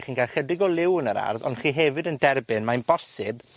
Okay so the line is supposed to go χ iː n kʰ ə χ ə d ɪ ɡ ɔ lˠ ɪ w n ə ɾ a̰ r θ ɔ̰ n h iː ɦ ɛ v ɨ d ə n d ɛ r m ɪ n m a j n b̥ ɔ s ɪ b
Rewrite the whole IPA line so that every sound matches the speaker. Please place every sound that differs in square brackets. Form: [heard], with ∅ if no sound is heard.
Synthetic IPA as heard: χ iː n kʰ [a] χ ə d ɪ ɡ ɔ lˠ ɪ w n ə ɾ a̰ r [ð] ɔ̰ n [χ] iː ɦ ɛ v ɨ d ə n d ɛ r [b] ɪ n m a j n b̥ ɔ s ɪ b